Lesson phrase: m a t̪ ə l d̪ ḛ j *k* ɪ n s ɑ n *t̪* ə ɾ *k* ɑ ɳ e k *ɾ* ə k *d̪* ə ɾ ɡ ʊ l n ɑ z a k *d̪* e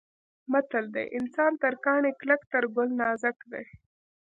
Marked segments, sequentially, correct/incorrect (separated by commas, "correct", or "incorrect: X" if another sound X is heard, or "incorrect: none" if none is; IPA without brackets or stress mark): incorrect: ʔ, correct, correct, incorrect: l, incorrect: t̪, correct